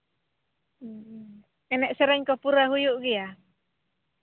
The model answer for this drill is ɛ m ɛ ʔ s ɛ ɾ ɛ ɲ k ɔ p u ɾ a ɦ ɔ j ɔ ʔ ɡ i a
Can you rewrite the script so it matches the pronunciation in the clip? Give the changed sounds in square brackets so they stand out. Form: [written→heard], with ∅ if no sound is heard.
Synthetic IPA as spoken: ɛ [m→n] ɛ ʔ s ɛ ɾ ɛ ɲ k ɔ p u ɾ a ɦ [ɔ→u] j [ɔ→u] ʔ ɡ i a